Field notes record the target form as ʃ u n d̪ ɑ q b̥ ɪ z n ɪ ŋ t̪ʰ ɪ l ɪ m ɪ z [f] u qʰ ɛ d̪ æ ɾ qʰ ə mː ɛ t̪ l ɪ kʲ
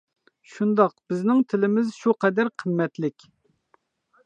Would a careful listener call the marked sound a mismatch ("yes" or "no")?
yes